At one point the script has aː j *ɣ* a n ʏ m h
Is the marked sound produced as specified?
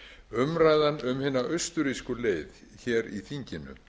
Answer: no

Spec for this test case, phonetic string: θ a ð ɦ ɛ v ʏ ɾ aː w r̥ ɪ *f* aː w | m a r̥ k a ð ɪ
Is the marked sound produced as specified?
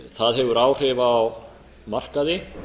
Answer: no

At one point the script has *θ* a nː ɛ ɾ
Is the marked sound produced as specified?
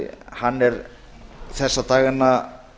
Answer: no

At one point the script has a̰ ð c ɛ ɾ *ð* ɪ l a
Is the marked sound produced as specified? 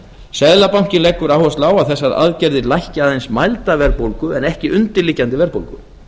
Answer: yes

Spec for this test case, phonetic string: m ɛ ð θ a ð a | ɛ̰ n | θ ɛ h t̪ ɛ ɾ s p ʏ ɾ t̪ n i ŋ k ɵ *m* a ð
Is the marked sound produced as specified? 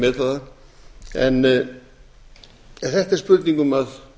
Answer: yes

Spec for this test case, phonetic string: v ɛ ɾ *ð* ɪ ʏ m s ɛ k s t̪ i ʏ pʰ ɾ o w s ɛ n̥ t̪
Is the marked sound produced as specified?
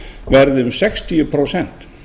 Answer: yes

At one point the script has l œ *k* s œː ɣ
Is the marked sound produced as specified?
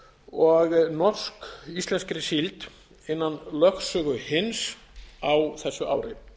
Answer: no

